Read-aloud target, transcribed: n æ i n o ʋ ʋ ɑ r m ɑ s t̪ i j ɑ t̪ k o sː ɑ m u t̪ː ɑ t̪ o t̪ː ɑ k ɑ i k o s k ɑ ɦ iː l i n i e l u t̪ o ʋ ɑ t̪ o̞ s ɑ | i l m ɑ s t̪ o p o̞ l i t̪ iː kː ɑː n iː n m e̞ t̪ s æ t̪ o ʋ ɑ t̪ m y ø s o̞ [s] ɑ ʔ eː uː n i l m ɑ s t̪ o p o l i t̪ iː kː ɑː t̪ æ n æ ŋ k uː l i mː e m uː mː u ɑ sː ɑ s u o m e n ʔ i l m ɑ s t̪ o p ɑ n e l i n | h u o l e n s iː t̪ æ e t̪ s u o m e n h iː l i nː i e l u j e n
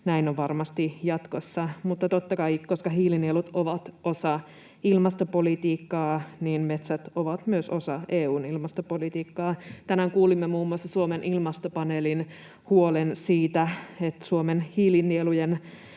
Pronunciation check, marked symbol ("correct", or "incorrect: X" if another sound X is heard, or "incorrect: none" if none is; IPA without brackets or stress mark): correct